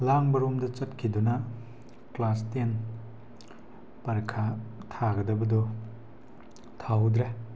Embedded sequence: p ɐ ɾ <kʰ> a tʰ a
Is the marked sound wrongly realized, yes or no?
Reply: no